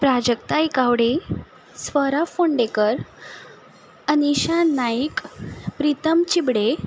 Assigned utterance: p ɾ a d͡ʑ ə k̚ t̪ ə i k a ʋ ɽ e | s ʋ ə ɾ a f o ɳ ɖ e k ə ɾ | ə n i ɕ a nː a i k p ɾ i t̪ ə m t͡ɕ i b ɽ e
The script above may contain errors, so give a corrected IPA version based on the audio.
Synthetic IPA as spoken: p ɾ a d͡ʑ ə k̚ t̪ a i k a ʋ ɽ e | s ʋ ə ɾ a f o ɳ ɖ e k ə ɾ | ə n i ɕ a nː a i k p ɾ i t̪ ə m t͡ɕ i b ɽ e